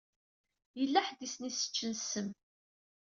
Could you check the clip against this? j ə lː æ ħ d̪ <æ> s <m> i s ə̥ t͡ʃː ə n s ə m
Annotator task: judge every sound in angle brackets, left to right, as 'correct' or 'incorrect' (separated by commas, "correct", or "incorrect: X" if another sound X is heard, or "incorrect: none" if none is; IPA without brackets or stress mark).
incorrect: i, incorrect: n